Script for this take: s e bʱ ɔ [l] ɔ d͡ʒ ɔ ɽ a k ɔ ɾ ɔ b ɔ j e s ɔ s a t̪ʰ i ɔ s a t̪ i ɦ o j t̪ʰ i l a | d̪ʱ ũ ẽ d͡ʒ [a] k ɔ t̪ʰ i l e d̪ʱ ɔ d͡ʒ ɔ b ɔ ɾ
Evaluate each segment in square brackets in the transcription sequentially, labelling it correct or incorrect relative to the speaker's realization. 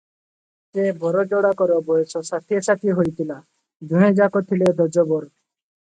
incorrect: ɾ, correct

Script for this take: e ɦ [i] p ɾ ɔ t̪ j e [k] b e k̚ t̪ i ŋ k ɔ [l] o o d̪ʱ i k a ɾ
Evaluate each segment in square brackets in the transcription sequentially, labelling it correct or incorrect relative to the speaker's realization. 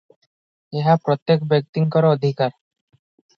incorrect: a, correct, incorrect: ɾ

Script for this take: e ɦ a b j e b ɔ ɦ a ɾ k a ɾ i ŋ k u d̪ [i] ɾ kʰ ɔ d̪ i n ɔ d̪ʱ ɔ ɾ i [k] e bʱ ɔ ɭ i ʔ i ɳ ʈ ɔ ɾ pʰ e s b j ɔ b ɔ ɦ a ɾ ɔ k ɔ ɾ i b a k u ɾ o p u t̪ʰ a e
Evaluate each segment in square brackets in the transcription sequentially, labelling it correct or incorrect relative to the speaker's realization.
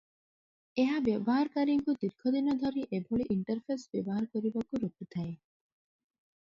correct, incorrect: ʔ

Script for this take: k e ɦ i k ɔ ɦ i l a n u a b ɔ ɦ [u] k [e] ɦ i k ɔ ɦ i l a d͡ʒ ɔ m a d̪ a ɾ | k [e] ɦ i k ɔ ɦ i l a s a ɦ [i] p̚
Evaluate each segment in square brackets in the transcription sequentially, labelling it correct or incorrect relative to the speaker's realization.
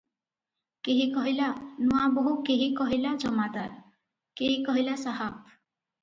correct, correct, correct, incorrect: a

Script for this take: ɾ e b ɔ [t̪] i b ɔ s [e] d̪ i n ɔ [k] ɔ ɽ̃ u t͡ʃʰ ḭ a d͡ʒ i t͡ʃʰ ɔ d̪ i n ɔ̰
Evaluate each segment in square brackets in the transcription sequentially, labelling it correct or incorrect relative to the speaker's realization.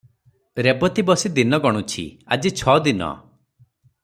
correct, incorrect: i, incorrect: ɡ

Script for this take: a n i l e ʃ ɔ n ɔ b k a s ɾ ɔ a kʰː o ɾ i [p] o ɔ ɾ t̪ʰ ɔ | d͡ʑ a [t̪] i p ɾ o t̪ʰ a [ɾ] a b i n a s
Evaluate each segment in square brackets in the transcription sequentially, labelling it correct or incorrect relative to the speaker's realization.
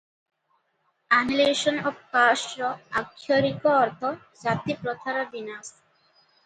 incorrect: k, correct, correct

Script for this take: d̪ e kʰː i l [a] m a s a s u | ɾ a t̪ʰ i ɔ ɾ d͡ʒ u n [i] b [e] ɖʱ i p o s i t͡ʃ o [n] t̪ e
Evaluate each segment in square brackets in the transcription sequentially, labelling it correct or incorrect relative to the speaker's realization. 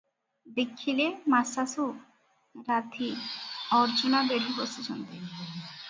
incorrect: e, incorrect: a, correct, correct

